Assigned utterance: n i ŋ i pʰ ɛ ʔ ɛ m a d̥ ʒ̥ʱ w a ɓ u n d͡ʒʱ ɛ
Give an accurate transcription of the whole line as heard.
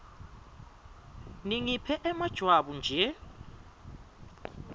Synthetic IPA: n i ŋ i pʰ ɛ ʔ ɛ m a d̥ ʒ̥ʱ w a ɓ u n d͡ʒʱ ɛ